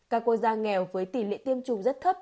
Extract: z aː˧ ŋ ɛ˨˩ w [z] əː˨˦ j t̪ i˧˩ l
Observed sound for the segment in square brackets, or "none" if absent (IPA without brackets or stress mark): v